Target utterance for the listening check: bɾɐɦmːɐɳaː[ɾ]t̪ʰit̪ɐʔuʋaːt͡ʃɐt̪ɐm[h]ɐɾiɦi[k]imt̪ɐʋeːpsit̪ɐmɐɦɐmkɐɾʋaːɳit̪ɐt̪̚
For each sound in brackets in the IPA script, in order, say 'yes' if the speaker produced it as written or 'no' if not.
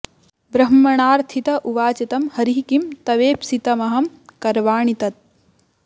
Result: yes, yes, yes

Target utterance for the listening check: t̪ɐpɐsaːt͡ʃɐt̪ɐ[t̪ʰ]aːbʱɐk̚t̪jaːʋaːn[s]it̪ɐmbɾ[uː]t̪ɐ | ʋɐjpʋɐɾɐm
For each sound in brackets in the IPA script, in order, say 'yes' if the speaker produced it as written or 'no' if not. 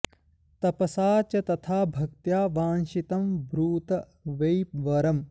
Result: yes, no, yes

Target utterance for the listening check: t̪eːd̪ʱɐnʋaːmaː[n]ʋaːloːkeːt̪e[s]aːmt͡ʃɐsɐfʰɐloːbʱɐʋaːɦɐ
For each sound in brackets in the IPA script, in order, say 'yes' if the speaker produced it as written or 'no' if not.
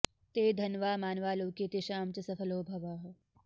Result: yes, no

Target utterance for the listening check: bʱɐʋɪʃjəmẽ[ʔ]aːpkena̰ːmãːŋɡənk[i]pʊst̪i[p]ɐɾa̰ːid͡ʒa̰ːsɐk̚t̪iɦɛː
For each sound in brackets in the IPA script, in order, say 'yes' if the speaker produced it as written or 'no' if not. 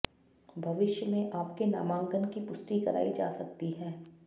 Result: yes, yes, no

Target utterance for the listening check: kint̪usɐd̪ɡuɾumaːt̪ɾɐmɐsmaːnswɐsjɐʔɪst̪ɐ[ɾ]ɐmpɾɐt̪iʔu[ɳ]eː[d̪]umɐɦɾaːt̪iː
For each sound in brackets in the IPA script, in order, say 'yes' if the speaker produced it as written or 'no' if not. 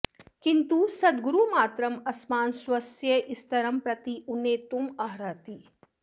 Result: yes, no, no

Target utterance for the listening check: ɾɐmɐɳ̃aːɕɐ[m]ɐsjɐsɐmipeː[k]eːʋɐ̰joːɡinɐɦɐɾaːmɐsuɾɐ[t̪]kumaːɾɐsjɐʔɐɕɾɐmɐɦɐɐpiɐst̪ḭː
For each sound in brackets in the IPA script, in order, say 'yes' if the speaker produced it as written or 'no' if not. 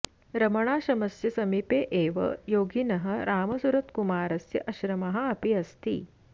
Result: yes, no, yes

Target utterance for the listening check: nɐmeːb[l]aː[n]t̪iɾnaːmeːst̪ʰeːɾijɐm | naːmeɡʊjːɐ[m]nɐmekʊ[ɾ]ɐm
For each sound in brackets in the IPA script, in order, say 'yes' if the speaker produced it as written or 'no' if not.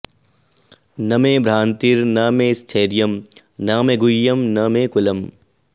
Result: no, yes, yes, no

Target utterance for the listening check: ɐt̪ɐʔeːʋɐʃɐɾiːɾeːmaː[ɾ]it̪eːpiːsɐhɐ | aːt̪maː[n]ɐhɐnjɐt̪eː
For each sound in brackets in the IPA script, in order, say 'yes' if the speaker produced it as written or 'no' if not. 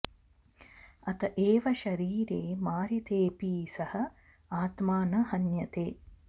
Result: yes, yes

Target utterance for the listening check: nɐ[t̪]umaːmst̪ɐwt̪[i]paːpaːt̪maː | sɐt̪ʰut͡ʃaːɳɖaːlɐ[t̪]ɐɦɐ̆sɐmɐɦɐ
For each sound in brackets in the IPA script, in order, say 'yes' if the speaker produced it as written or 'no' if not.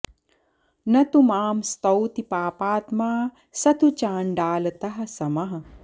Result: yes, yes, yes

